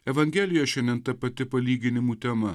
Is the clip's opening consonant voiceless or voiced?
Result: voiced